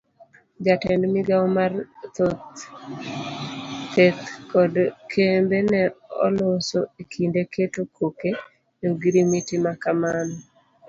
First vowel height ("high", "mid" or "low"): low